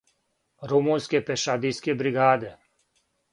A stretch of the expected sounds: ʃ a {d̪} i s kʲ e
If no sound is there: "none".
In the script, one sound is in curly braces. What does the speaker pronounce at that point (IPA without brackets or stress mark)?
d̪